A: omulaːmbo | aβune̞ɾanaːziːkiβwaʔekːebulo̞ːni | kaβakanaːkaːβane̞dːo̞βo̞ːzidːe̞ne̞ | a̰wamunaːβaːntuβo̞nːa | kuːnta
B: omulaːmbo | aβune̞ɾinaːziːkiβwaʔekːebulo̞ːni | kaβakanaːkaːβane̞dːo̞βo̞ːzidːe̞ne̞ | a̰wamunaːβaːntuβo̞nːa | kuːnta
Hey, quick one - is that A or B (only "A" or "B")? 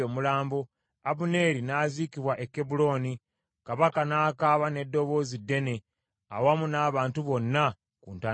B